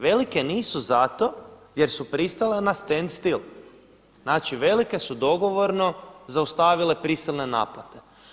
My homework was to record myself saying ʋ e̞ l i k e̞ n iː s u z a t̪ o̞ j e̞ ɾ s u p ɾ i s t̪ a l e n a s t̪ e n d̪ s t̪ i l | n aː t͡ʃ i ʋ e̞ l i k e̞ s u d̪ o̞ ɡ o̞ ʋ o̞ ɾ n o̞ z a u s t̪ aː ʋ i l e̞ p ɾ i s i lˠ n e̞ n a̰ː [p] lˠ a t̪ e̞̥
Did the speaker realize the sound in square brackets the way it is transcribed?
yes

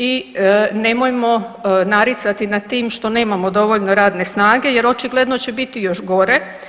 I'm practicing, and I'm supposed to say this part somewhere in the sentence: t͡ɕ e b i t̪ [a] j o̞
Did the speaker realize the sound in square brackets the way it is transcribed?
no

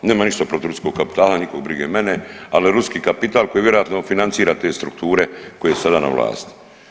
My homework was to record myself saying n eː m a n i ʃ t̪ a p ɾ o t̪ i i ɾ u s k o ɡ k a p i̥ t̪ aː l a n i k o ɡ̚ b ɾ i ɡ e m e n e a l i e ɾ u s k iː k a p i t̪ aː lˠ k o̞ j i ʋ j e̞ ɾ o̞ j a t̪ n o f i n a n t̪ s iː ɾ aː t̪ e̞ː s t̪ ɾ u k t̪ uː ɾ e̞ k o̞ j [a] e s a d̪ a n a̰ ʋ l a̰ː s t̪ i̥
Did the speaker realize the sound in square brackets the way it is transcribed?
no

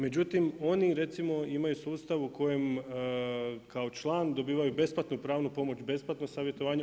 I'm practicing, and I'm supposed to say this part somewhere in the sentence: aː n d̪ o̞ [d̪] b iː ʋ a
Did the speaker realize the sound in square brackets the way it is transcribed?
no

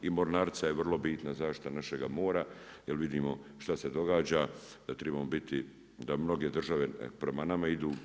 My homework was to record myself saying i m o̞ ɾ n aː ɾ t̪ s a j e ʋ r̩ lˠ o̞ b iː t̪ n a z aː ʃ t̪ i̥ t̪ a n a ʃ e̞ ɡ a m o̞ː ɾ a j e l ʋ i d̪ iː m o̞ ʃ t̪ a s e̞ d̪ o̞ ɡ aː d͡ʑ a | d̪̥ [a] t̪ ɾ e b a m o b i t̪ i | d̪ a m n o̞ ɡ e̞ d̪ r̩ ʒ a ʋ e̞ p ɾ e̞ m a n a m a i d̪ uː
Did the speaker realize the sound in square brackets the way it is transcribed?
yes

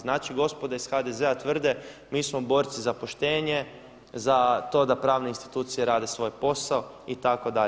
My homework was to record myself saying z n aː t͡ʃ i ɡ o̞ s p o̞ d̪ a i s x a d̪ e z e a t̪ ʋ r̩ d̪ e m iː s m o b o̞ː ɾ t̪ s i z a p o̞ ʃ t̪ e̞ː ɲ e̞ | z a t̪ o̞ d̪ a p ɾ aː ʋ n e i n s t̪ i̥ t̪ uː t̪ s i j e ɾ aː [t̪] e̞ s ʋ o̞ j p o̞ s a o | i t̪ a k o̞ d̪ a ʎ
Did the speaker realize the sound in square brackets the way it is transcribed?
no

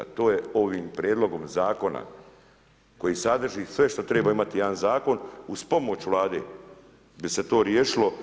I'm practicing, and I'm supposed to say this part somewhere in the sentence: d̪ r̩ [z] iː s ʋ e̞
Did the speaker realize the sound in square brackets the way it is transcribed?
no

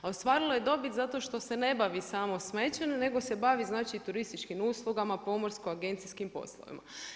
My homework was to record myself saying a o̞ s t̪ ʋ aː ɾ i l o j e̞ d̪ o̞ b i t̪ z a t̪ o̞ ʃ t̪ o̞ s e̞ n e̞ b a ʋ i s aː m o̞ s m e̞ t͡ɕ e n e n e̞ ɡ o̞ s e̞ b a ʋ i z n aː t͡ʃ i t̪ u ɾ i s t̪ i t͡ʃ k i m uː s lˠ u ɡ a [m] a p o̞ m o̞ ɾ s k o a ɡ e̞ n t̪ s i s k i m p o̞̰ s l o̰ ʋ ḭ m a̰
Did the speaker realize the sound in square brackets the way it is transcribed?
yes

